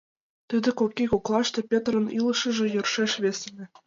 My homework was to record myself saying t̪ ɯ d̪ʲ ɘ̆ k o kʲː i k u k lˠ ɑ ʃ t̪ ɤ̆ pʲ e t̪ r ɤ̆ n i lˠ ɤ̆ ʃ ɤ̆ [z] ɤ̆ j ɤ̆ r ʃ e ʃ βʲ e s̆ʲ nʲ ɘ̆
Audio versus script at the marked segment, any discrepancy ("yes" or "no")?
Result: yes